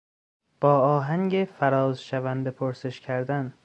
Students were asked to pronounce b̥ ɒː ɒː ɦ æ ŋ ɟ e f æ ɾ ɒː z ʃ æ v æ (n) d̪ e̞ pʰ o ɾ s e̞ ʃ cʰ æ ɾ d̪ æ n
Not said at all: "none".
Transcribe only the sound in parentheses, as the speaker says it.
n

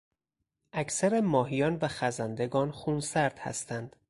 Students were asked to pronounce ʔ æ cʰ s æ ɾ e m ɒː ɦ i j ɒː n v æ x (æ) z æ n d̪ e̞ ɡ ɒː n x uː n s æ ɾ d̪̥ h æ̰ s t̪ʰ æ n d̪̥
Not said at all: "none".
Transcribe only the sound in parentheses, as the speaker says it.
æ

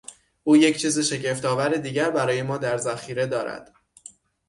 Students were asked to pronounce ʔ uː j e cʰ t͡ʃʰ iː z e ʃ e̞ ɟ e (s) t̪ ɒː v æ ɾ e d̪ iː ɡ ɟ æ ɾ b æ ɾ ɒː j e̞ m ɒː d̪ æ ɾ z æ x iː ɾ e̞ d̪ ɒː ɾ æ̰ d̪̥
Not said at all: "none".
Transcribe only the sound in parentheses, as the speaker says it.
f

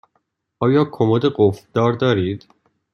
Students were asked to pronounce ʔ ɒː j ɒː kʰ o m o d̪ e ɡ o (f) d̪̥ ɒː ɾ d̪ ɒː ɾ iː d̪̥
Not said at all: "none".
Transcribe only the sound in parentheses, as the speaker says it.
f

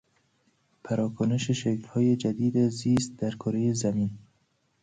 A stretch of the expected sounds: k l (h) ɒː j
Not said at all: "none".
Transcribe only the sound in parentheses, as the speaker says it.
h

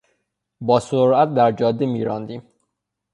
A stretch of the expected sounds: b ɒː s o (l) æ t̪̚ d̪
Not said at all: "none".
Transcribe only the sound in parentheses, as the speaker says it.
ɾ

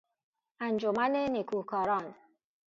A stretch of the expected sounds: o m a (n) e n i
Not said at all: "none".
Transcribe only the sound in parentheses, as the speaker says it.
n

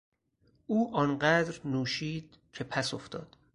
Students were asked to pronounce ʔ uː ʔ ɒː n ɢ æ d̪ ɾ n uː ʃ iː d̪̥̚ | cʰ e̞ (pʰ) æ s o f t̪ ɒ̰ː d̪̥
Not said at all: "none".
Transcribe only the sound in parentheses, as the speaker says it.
pʰ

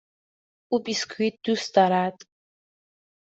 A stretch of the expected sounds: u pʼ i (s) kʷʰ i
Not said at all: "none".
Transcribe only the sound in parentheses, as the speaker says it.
s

